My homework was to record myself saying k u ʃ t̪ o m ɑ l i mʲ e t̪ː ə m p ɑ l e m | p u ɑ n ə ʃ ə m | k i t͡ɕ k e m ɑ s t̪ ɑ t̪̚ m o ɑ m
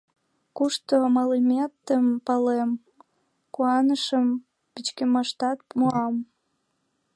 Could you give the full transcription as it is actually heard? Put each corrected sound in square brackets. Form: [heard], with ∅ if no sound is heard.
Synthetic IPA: k u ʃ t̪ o m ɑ l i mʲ e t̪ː ə m p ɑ l e m | [k] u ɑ n ə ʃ ə m | [p] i t͡ɕ k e m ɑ [ʃ] t̪ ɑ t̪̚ m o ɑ m